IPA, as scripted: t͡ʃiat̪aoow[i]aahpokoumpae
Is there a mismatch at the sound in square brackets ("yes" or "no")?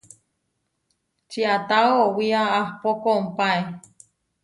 no